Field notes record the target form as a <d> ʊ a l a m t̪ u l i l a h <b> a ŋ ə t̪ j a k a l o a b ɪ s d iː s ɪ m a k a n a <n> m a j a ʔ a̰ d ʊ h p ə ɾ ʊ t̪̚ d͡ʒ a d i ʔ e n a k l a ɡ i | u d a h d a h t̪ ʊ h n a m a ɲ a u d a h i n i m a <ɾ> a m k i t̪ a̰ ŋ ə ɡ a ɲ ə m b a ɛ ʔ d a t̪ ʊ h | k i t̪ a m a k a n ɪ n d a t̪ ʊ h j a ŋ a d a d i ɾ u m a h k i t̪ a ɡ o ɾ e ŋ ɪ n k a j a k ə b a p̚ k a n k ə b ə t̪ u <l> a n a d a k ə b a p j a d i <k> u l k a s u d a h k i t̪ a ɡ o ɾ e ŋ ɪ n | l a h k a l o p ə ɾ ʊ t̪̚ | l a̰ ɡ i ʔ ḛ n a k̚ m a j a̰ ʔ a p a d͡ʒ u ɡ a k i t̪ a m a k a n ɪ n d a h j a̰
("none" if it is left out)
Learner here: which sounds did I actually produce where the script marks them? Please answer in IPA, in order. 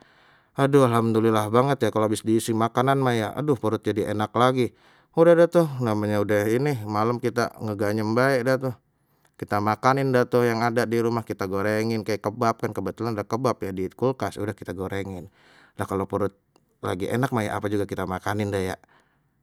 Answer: d, b, n, l, l, k

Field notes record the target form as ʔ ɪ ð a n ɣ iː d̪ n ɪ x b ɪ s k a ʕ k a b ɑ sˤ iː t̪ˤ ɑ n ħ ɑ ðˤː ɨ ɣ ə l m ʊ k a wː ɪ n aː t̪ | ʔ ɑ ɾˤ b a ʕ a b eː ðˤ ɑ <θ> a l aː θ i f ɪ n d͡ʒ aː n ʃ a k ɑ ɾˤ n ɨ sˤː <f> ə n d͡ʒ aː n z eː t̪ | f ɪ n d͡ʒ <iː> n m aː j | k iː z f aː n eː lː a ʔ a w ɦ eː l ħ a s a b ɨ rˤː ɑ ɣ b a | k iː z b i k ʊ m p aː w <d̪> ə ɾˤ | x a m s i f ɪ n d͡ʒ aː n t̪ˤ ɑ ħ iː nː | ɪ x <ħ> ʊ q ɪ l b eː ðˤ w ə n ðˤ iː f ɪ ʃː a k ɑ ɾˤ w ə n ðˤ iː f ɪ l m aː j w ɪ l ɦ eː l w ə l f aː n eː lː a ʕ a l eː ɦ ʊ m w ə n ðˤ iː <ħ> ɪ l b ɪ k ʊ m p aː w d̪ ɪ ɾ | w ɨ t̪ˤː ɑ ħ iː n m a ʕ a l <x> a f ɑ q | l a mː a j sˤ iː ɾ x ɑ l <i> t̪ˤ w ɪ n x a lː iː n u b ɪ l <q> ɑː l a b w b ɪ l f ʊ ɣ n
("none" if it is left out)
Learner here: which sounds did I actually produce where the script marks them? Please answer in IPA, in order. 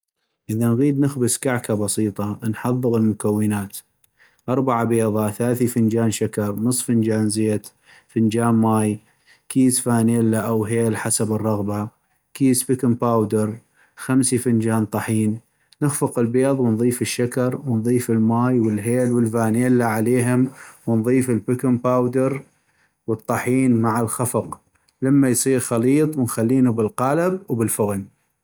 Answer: θ, f, aː, d̪, f, f, x, iː, q

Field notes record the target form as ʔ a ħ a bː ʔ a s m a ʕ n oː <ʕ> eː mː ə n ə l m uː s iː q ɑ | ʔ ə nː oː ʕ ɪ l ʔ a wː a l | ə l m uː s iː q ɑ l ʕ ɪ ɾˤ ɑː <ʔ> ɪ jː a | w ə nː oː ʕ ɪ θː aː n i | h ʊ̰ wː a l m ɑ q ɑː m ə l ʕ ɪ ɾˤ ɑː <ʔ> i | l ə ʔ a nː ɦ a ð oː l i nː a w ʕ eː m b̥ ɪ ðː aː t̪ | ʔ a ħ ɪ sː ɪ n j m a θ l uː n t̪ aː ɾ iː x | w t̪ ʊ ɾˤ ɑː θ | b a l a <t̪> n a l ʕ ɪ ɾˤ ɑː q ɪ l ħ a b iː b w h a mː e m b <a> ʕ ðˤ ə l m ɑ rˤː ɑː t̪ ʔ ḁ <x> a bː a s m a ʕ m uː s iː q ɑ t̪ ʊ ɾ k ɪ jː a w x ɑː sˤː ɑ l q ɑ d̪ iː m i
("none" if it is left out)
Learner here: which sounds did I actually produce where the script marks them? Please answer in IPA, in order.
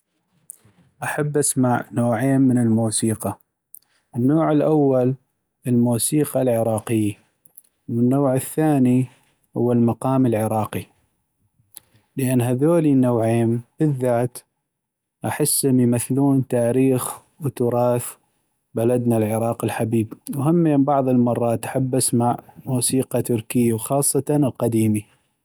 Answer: ʕ, q, q, d̪, ɑ, ħ

